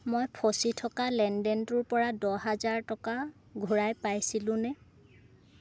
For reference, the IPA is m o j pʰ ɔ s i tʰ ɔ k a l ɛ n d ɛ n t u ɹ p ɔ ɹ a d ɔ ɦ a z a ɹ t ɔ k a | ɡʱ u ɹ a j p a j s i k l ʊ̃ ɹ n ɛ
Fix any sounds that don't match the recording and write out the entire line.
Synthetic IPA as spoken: m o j pʰ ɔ s i tʰ ɔ k a l ɛ n d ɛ n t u ɹ p ɔ ɹ a d ɔ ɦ a z a ɹ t ɔ k a | ɡʱ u ɹ a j p a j s i l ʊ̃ n ɛ